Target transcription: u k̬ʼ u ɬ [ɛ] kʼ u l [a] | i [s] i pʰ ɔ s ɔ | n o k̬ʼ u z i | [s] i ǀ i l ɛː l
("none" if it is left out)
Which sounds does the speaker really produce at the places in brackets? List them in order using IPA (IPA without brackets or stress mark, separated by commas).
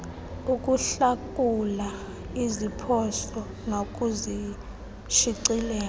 a, a, z, ʃ